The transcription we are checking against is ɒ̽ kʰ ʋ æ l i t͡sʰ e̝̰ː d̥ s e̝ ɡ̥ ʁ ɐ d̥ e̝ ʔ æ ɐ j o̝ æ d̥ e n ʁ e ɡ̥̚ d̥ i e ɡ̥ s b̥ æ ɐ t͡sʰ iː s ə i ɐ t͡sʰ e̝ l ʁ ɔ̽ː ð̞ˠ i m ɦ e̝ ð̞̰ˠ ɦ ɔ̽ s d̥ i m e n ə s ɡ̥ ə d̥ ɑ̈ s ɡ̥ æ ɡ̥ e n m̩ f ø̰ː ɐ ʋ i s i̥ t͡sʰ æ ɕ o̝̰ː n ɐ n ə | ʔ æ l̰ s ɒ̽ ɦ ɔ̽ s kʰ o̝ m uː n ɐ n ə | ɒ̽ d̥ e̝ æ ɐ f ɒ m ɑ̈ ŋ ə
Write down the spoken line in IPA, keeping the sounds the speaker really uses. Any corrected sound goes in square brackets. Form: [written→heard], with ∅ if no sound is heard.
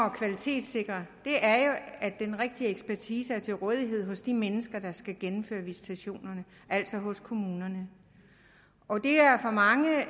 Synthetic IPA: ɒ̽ kʰ ʋ æ l i t͡sʰ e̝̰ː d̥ s e̝ ɡ̥ ʁ ɐ d̥ e̝ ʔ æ ɐ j o̝ æ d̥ e n ʁ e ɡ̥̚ d̥ i e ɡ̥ s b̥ æ ɐ t͡sʰ iː s ə [i→æ] ɐ t͡sʰ e̝ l ʁ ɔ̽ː ð̞ˠ i [m→∅] ɦ e̝ ð̞̰ˠ ɦ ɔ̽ s d̥ i m e n ə s ɡ̥ [ə→ɐ] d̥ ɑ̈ s ɡ̥ æ ɡ̥ e n m̩ f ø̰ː ɐ ʋ i s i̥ t͡sʰ æ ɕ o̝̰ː n ɐ n ə | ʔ æ l̰ s ɒ̽ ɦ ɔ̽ s kʰ o̝ m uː n ɐ n ə | ɒ̽ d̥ e̝ æ ɐ f ɒ m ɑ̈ ŋ ə